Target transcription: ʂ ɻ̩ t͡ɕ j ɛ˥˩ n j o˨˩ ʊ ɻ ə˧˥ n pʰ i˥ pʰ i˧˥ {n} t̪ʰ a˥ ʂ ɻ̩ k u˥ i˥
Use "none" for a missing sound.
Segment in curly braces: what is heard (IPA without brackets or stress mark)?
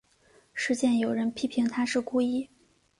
ŋ